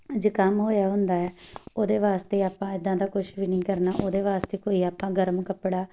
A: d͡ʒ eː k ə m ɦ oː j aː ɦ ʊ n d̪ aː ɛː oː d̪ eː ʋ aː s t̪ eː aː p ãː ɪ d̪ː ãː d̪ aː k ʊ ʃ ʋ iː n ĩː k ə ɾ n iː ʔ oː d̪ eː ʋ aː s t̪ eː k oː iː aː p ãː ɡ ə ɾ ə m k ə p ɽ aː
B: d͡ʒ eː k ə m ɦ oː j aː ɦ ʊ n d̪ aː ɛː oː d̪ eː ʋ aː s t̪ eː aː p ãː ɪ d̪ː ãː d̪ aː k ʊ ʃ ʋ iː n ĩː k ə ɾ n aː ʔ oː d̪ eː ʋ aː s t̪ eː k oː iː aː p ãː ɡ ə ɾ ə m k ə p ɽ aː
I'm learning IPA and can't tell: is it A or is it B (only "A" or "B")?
B